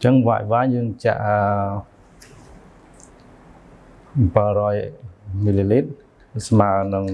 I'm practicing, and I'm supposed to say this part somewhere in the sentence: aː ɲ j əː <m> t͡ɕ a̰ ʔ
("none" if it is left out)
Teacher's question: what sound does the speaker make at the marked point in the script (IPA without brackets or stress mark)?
ŋ